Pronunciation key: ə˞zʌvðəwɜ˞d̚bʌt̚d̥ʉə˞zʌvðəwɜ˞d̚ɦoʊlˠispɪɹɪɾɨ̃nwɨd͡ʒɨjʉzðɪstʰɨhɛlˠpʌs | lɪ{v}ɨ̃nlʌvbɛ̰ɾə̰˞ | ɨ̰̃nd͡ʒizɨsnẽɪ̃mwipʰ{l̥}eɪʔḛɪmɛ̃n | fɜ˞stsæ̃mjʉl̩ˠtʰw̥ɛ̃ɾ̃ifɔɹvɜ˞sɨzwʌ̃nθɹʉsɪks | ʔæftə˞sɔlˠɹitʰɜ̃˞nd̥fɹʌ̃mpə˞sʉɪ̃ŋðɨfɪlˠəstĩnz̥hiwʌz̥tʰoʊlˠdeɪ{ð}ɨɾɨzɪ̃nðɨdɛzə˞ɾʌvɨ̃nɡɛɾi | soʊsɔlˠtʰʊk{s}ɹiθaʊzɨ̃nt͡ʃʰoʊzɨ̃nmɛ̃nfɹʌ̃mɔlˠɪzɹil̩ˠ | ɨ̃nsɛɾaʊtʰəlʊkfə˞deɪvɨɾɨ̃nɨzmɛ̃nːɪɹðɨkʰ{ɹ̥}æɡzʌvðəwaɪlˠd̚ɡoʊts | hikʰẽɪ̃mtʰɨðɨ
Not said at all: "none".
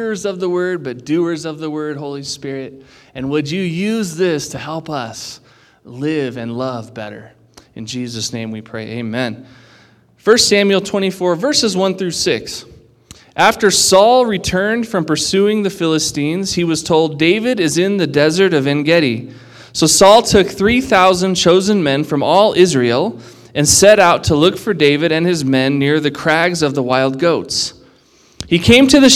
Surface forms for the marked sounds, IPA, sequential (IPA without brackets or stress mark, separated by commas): v, ɹ̥, v, θ, ɹ̥